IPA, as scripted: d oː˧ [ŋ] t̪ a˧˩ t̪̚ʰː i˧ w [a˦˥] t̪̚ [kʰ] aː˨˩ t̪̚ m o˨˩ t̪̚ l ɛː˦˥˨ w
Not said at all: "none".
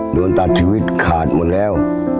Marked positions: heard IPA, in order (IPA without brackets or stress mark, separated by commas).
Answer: n, i˦˥, kʰ